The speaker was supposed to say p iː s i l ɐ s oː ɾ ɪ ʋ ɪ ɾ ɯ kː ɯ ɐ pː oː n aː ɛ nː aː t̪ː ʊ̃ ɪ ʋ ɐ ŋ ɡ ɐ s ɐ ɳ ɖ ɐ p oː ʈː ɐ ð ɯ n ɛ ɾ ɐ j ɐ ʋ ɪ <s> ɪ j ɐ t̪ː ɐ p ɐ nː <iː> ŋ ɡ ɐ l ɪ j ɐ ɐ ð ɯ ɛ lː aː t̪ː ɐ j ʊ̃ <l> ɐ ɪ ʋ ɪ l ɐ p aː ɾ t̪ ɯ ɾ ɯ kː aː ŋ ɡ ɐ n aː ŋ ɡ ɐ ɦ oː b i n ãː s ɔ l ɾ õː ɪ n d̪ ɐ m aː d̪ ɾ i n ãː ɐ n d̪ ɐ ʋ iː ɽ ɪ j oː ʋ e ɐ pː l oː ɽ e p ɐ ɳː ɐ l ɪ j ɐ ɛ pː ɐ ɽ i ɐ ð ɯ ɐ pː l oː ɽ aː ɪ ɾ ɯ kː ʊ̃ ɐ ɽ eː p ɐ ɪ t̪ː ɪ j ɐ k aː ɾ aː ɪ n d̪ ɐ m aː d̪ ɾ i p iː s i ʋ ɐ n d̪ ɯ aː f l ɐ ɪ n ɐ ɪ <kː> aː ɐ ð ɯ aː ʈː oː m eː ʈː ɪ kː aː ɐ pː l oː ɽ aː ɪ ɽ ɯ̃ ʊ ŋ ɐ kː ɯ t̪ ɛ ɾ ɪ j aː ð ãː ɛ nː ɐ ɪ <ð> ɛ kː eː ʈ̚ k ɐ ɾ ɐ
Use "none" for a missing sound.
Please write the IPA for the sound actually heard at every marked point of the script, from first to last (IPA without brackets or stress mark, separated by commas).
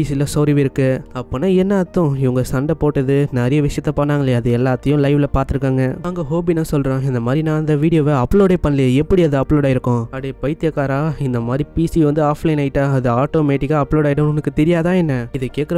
ʂ, aː, l, ʈː, ð